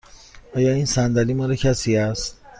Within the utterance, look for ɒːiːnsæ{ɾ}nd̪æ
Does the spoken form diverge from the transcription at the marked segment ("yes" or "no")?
yes